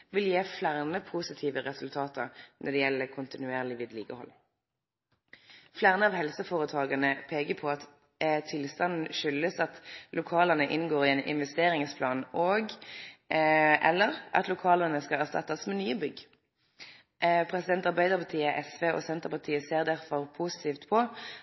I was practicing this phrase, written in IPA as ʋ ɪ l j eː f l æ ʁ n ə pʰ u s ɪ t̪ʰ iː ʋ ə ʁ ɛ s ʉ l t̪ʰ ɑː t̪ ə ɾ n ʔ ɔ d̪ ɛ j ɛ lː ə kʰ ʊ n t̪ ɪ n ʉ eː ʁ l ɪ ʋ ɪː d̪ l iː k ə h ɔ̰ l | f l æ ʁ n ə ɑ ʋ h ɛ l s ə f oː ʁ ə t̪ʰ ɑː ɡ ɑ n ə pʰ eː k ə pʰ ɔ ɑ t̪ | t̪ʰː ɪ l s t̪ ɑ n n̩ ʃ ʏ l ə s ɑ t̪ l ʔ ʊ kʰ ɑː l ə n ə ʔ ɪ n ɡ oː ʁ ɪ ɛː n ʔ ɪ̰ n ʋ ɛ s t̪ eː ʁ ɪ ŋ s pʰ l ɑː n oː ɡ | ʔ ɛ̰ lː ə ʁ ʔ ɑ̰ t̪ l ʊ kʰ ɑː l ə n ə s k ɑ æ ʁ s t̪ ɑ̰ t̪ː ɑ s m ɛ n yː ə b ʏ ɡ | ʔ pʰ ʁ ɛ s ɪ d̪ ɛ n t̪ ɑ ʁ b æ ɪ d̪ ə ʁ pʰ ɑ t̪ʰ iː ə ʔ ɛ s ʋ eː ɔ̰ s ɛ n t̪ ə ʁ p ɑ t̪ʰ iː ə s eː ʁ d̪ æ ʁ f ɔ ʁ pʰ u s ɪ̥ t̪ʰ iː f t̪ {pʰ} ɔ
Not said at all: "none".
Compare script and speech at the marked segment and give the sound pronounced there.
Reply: pʰ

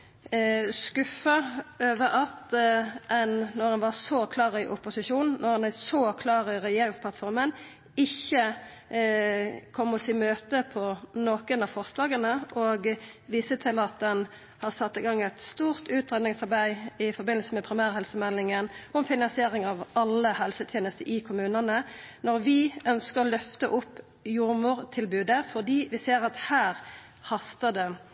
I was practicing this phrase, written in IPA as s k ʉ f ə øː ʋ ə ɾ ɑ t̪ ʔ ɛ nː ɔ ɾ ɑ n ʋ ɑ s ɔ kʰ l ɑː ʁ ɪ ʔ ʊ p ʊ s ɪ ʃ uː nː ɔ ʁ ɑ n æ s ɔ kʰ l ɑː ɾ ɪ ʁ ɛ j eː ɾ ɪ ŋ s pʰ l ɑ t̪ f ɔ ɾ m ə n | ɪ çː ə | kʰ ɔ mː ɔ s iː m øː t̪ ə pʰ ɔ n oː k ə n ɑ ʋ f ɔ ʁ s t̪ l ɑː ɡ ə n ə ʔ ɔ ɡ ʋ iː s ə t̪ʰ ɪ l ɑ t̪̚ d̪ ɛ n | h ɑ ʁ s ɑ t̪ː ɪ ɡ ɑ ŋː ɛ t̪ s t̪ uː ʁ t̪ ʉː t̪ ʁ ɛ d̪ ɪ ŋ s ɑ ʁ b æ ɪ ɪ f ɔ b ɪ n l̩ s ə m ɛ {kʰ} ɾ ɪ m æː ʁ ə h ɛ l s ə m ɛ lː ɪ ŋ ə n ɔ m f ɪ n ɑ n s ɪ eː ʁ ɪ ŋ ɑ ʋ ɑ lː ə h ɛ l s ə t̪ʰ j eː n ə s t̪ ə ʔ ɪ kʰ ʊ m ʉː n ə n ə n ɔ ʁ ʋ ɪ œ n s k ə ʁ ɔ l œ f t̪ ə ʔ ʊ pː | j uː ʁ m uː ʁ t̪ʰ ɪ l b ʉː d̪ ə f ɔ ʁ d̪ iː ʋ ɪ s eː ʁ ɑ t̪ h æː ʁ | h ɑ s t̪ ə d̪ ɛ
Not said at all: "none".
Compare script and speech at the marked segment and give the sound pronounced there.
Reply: pʰ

